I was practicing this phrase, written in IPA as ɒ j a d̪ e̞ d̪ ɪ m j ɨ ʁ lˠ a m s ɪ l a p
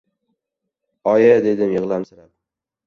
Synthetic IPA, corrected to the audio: ɒ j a d̪ e̞ d̪ ɪ m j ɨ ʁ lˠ a m s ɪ ɾ a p